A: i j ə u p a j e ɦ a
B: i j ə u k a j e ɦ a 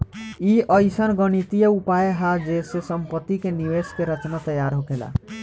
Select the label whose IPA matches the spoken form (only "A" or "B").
A